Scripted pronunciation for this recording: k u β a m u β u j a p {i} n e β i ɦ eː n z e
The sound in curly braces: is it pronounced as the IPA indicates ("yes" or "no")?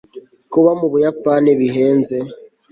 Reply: no